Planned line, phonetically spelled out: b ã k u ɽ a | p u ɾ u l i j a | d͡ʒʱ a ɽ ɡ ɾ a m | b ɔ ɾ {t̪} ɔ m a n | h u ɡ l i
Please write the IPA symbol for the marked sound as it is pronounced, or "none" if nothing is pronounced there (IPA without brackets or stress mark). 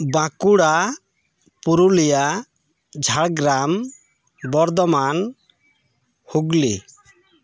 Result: d̪